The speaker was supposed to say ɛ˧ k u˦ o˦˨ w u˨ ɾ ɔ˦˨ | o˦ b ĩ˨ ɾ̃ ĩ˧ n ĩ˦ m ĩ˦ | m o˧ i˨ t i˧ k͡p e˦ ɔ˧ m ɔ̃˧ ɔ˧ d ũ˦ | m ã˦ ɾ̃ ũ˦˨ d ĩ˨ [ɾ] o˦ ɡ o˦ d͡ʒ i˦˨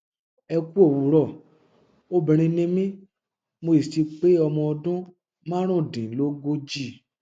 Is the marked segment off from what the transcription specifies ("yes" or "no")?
yes